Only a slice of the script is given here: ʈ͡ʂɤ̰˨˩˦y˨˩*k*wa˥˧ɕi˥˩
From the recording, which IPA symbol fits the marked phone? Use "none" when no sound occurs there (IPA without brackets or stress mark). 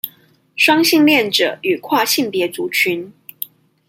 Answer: kʰ